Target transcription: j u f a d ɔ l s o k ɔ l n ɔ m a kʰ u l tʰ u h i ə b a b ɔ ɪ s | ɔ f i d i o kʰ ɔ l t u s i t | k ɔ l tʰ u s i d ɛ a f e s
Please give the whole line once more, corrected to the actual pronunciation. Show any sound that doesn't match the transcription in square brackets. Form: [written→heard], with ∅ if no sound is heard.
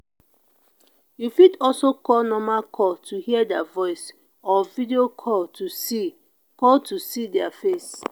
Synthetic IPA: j u f [a→i] d ɔ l s o k ɔ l n ɔ m a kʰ [u→ɔ] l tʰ u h i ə [b→d] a [b→v] ɔ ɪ s | ɔ [f→v] i d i o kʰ ɔ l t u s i [t→∅] | k ɔ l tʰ u s i d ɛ a f e s